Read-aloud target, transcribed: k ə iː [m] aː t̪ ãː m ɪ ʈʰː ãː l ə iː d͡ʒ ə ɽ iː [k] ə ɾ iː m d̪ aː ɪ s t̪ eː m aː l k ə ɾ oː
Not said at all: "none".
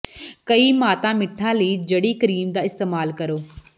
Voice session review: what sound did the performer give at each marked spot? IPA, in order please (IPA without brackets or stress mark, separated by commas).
m, k